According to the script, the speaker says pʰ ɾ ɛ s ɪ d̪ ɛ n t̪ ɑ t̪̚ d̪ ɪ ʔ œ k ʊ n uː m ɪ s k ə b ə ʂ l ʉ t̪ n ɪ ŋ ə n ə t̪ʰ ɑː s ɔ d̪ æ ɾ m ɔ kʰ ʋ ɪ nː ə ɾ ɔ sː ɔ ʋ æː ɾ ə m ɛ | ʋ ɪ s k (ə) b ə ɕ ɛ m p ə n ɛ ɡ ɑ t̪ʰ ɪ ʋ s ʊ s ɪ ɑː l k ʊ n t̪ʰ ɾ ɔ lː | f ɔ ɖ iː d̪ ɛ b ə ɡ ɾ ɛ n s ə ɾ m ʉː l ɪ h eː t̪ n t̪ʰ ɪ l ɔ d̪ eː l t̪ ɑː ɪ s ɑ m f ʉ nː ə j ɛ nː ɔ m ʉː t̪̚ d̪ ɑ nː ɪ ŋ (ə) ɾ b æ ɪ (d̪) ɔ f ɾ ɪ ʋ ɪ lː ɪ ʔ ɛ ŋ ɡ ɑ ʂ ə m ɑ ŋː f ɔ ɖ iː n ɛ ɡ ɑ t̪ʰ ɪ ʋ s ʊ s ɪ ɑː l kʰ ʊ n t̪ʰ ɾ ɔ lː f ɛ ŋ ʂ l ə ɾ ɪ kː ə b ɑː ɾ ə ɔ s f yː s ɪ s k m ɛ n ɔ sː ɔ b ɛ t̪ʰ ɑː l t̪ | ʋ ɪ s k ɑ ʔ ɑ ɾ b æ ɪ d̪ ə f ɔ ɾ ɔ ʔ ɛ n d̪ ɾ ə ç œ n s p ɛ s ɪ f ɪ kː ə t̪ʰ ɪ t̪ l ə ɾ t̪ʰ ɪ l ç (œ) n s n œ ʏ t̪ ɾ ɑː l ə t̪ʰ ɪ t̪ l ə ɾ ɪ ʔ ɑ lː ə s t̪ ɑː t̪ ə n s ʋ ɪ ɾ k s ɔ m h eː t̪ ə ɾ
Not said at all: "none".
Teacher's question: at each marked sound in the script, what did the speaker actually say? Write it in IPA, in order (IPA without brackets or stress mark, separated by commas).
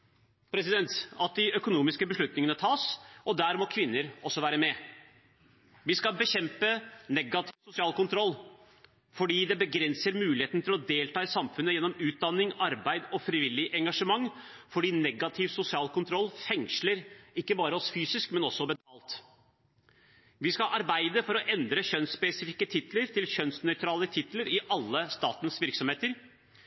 ɑ, ɑ, d̪, œ